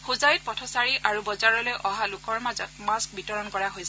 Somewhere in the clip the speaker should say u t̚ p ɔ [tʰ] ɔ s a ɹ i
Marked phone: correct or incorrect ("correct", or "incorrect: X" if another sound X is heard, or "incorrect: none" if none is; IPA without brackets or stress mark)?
correct